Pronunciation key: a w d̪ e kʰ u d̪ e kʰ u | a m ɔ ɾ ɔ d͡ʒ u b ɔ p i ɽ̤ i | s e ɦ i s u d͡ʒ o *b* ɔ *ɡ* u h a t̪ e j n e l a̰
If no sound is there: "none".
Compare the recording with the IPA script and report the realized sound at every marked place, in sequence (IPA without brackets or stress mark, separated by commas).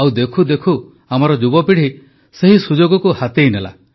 ɡ, k